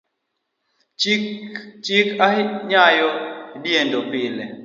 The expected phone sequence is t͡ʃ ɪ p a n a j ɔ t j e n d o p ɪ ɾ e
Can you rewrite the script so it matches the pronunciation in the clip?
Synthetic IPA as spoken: t͡ʃ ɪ k a ɲ a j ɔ d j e n d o p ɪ l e